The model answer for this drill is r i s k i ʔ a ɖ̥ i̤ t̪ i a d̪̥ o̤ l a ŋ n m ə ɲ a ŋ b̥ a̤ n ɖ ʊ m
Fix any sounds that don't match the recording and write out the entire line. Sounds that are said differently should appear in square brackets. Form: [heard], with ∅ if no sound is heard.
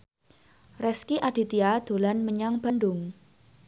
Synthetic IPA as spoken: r [ɛ] s k i ʔ a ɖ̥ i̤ t̪ i a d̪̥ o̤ l a [∅] n m ə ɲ a ŋ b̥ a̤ n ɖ ʊ [ŋ]